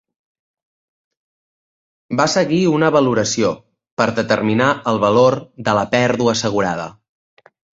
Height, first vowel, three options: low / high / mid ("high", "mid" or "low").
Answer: low